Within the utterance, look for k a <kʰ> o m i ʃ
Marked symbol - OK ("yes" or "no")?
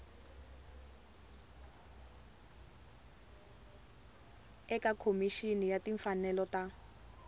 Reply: yes